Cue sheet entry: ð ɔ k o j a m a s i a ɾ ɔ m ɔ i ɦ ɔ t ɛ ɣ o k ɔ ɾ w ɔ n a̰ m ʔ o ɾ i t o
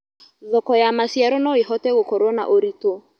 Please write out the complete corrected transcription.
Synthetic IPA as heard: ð ɔ k ɔ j a m a s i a ɾ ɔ n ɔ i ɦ ɔ t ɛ ɣ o k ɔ ɾ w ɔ n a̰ ʔ o ɾ i t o